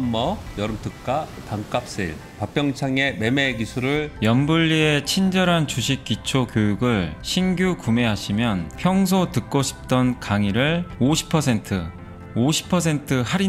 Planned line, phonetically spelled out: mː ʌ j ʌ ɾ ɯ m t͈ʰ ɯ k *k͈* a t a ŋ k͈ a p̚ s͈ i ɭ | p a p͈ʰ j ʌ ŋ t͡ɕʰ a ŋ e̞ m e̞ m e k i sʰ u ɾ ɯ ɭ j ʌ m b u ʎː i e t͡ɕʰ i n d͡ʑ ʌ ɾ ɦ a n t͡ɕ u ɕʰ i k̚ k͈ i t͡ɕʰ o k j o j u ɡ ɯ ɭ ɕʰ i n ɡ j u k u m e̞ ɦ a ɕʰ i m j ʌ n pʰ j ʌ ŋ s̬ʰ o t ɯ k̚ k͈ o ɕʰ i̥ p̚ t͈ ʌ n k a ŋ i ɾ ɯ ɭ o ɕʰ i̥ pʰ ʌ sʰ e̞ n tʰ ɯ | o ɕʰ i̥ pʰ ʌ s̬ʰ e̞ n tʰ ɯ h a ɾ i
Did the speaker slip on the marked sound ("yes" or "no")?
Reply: no